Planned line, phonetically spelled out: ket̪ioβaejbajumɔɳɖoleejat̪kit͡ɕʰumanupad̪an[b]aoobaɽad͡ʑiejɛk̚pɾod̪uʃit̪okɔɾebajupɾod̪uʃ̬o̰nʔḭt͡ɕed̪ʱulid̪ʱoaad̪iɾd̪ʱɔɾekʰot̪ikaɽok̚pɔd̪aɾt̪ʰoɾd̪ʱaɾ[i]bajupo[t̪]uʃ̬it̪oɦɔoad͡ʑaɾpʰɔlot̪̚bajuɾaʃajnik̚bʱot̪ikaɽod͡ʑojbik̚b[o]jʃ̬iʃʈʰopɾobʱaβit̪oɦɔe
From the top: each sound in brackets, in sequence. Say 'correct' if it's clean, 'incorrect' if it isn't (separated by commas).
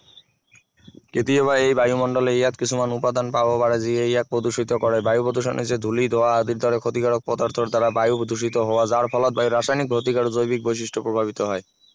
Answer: incorrect, incorrect, incorrect, correct